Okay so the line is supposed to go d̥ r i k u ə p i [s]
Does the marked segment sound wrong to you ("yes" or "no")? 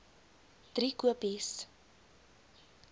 no